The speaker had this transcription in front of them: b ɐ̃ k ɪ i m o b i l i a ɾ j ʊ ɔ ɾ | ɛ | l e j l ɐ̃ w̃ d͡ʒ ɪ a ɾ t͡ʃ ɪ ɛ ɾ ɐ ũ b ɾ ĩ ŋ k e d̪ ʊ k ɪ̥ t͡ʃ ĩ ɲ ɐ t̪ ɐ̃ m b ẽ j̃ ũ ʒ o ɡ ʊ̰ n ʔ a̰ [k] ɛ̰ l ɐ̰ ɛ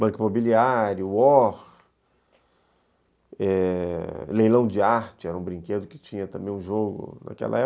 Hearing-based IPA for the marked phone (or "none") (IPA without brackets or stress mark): k